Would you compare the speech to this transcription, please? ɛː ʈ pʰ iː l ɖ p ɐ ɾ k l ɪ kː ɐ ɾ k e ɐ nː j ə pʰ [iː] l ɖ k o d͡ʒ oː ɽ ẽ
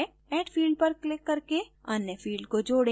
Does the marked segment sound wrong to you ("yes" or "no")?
no